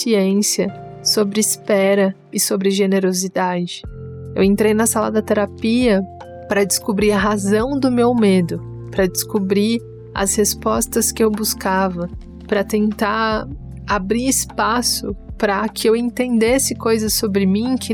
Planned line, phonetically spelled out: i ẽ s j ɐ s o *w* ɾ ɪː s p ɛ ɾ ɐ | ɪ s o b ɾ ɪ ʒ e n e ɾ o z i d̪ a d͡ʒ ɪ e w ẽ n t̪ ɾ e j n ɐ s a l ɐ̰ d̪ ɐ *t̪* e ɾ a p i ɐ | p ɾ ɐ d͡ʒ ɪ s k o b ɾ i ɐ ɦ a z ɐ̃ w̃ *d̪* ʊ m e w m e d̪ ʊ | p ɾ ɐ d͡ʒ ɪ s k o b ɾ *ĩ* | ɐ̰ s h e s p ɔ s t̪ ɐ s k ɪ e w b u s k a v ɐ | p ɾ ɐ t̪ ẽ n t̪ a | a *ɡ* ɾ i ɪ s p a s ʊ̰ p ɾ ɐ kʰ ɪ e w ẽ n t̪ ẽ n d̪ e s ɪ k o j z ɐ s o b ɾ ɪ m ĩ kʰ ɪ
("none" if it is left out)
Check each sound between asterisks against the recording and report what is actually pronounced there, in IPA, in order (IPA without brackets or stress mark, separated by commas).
b, t̪, d̪, i, b